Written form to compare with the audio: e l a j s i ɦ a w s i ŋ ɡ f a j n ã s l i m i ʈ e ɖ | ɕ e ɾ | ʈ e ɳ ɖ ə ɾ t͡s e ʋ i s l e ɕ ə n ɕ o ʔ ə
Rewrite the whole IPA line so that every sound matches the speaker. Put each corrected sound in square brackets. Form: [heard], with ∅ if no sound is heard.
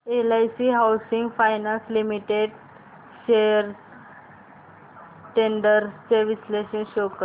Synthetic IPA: e l a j s i ɦ a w s i ŋ ɡ f a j n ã s l i m i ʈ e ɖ | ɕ e ɾ | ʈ e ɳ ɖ ə ɾ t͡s e ʋ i s l e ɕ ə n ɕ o [k] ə